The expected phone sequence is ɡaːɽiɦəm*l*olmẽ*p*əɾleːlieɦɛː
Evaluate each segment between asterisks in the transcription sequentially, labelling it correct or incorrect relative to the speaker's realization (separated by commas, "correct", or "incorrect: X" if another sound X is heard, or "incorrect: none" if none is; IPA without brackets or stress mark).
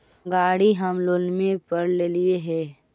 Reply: correct, correct